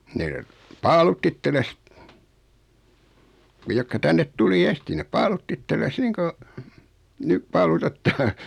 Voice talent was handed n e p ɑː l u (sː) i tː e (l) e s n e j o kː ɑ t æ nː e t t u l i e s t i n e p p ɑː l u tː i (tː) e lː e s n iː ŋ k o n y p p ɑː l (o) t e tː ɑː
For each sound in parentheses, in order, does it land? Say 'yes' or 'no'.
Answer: no, yes, yes, no

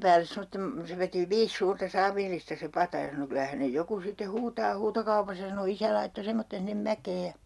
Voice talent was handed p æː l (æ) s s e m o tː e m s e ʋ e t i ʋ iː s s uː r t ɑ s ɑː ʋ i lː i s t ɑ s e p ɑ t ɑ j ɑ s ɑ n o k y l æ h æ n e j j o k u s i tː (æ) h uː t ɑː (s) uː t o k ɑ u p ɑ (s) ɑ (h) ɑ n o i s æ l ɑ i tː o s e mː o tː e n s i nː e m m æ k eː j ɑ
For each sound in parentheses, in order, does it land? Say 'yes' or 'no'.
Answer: no, no, no, yes, no

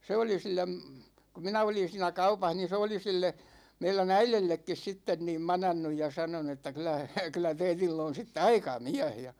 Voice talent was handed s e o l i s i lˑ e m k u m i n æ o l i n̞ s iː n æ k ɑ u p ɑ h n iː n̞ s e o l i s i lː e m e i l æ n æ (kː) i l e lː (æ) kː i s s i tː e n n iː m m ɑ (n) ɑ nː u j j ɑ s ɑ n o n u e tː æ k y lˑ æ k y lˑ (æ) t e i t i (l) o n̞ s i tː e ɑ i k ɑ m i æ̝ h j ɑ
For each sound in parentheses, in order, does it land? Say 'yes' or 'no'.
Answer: no, no, yes, yes, no

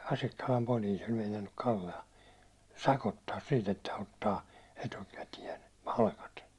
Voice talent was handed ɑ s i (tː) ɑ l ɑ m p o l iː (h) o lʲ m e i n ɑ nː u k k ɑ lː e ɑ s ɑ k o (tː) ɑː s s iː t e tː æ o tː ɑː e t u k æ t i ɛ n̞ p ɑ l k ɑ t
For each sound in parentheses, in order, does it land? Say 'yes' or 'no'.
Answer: no, no, yes

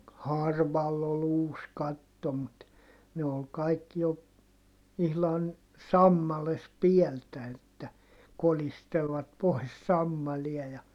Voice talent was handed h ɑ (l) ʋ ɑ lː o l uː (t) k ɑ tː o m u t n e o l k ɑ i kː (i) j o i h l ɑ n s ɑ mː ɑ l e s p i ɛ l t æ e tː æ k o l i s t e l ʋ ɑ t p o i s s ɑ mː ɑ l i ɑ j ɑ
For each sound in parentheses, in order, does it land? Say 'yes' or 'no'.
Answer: no, no, yes

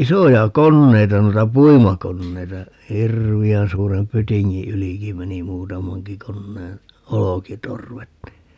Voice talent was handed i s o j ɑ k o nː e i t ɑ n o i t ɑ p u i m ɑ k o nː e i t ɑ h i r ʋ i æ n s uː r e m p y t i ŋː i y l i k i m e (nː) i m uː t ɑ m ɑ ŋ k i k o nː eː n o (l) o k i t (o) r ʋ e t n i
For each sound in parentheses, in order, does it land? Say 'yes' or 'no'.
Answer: no, yes, yes

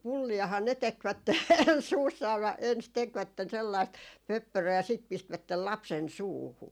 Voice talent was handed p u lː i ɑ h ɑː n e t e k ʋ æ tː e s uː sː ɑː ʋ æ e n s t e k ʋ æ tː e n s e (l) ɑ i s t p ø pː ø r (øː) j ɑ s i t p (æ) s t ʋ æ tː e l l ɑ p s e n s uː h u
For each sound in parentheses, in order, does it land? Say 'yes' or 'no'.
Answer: no, yes, no

